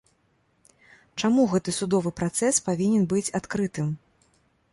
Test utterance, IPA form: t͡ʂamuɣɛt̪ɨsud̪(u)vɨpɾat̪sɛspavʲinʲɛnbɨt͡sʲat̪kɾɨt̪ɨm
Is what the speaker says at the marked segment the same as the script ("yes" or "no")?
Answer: no